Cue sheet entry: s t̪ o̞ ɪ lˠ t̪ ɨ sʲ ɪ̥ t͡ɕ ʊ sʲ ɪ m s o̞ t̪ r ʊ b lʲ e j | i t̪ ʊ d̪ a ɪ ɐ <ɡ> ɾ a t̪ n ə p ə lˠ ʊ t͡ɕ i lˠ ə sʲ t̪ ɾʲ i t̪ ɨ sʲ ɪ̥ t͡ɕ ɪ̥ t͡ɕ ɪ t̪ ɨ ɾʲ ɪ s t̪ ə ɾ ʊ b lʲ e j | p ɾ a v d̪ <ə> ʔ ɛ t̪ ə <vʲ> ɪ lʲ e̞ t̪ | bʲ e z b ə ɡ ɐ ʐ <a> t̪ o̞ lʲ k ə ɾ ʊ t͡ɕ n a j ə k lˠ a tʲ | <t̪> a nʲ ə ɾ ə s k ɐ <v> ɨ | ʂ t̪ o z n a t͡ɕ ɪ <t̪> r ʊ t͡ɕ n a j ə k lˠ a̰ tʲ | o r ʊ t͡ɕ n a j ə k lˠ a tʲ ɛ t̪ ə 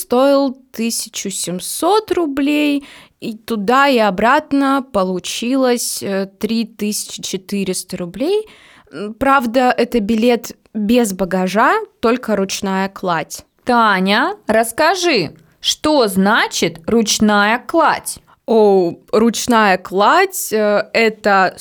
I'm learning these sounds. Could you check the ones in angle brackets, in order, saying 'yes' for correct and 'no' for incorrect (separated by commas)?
no, yes, no, yes, yes, no, yes